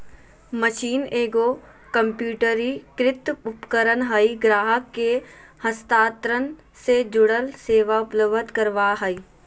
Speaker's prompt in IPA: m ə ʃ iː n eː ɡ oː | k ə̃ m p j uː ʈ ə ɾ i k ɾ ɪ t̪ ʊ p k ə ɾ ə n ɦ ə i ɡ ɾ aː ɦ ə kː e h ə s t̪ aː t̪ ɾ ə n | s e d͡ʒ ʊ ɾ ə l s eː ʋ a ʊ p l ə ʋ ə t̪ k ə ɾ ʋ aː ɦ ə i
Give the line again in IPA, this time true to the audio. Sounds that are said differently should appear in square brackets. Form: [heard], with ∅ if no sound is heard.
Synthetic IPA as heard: m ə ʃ iː n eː ɡ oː | k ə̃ m p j uː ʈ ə ɾ i k ɾ ɪ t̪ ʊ p k ə ɾ ə n ɦ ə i ɡ ɾ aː ɦ ə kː e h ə s t̪ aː t̪ ɾ ə n | s e d͡ʒ ʊ [ɽ] ə l s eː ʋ a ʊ p l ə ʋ ə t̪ k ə ɾ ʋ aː ɦ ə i